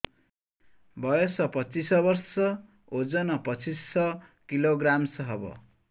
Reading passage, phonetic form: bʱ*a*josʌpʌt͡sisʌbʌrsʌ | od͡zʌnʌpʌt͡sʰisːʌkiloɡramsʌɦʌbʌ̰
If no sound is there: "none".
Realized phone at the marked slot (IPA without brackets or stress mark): ʌ